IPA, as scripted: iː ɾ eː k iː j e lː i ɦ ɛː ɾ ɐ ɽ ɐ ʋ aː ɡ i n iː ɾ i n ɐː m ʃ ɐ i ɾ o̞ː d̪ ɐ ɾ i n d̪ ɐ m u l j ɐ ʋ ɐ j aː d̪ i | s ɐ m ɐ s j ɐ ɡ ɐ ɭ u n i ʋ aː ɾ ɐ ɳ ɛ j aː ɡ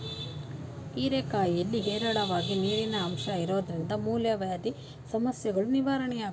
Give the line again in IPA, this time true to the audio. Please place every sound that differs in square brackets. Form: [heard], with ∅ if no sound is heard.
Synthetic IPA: iː ɾ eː k [aː] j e lː i ɦ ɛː ɾ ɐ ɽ ɐ ʋ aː ɡ i n iː ɾ i n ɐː m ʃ ɐ i ɾ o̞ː d̪ ɐ ɾ i n d̪ ɐ m [uː] l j ɐ ʋ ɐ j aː d̪ i | s ɐ m ɐ s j ɐ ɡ ɐ ɭ u n i ʋ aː ɾ ɐ ɳ ɛ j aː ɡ